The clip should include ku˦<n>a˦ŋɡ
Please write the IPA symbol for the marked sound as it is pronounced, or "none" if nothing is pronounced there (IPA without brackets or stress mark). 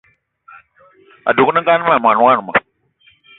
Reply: n